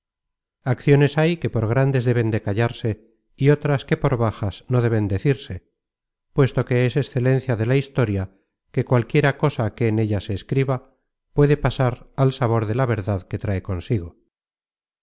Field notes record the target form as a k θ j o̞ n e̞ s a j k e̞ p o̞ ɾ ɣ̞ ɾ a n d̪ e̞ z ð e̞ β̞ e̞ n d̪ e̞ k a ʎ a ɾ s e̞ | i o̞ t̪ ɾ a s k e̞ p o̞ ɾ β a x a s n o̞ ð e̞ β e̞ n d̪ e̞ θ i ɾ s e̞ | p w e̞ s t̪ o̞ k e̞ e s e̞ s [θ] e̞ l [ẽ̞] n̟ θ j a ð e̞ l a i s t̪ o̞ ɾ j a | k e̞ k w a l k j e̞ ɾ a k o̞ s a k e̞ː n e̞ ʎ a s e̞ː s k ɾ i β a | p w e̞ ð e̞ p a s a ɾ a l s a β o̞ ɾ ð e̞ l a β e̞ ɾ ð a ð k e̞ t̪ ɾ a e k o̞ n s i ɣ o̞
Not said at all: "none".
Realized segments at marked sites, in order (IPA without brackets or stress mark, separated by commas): θ, e̞